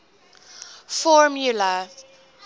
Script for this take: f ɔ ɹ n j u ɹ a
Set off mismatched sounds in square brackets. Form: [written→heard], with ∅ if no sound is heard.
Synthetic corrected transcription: f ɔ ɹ [n→m] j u [ɹ→l] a

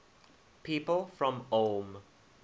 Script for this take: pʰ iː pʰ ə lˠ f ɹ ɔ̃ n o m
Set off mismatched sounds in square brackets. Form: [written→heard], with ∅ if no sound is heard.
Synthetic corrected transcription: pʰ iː [pʰ→p] ə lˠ f ɹ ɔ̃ [n→m] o m

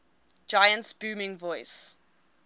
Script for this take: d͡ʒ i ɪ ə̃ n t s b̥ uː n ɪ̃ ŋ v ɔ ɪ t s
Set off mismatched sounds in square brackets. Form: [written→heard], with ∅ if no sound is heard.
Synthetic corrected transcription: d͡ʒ [i→a] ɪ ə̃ n t s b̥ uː [n→m] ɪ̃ ŋ v ɔ ɪ [t→∅] s

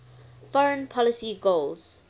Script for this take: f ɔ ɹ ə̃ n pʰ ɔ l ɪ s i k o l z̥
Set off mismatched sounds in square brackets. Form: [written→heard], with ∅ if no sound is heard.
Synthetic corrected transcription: f ɔ ɹ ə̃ n pʰ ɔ l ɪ s i [k→ɡ] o l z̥

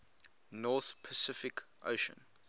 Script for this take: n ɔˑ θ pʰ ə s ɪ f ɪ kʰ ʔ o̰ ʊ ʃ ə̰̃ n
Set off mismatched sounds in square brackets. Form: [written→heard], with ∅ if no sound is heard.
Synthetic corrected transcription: n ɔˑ θ pʰ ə s ɪ f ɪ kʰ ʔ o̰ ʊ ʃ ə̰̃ n

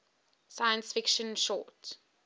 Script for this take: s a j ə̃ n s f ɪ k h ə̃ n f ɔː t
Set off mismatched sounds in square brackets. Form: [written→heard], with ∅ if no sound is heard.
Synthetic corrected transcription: s a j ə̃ n s f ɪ k [h→ʃ] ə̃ n [f→ʃ] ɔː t

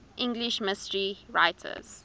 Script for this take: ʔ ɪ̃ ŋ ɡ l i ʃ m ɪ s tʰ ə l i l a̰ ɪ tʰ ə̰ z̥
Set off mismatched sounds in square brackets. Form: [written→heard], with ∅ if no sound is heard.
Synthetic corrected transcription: ʔ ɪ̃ ŋ ɡ l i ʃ m ɪ s [tʰ→t] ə [l→ɹ] i [l→ɹ] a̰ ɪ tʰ ə̰ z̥

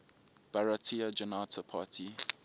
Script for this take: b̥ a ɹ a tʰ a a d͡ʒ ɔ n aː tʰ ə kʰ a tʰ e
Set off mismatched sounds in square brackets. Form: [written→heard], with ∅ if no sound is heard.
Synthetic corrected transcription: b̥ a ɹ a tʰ [a→i] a d͡ʒ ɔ n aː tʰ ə [kʰ→pʰ] a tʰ [e→i]

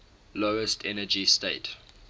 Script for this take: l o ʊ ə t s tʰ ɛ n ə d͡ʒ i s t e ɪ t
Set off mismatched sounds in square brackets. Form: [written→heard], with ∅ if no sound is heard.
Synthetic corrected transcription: l o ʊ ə [t→∅] s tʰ ɛ n ə d͡ʒ i s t e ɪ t

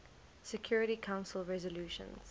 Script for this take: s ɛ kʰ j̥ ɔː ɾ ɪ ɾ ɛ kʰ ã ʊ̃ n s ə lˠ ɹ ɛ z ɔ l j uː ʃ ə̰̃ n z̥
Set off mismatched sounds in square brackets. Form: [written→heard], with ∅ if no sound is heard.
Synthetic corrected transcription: s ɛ kʰ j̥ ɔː [ɾ→ɹ] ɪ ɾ [ɛ→i] kʰ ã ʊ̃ n s ə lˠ ɹ ɛ z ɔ l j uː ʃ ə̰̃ n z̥

